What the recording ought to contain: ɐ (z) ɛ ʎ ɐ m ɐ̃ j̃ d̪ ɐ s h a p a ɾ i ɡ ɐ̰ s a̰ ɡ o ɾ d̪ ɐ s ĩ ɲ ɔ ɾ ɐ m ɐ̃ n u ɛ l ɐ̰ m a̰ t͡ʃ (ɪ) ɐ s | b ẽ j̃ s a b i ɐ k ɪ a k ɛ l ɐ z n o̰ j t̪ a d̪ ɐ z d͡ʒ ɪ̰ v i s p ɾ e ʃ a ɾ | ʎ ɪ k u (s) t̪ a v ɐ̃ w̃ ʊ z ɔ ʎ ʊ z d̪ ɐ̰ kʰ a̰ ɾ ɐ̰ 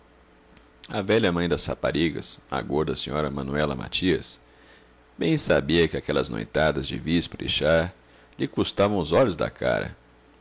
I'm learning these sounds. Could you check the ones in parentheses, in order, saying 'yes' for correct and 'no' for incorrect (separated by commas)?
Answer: no, no, yes